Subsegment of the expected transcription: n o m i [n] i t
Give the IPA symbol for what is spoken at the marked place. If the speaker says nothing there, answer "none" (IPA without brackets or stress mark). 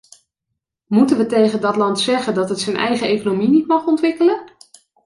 n